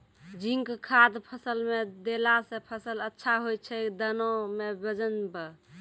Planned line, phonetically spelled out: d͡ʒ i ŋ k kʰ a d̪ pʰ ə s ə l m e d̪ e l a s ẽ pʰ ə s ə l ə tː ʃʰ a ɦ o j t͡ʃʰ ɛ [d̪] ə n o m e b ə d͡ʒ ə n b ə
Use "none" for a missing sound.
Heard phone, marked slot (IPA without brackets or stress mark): d̪